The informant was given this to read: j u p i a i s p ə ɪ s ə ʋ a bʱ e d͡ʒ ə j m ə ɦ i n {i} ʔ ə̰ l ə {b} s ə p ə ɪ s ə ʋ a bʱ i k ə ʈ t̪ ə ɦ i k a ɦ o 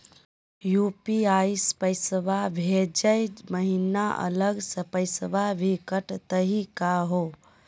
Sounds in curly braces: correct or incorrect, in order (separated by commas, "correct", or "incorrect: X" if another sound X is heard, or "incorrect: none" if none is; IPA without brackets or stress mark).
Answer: incorrect: a, incorrect: ɡ